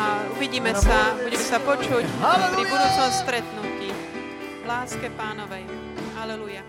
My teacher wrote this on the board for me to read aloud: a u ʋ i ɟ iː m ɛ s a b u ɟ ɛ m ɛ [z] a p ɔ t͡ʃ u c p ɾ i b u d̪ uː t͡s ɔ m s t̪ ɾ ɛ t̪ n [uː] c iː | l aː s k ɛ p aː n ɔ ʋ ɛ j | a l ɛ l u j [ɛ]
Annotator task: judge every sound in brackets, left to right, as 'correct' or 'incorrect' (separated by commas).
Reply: incorrect, incorrect, incorrect